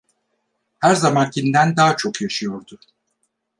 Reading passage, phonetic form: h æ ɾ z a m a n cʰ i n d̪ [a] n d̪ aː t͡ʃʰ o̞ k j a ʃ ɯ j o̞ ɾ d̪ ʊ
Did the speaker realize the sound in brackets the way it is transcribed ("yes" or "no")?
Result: no